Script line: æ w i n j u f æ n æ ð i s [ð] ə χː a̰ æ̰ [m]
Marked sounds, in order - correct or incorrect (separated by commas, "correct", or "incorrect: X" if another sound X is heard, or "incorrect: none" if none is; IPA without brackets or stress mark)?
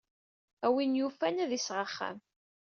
incorrect: ʁ, correct